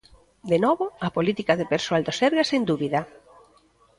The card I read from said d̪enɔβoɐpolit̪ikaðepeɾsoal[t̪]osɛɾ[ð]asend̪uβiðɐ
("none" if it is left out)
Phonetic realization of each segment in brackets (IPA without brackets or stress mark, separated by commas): d̪, ɣ